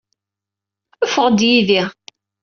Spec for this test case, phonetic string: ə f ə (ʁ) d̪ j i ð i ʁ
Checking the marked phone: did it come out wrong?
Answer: no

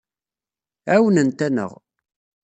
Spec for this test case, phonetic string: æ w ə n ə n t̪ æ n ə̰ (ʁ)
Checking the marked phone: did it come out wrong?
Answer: no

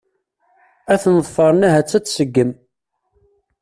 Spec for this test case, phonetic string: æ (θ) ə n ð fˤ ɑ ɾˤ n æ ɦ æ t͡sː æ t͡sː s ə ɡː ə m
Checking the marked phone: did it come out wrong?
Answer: no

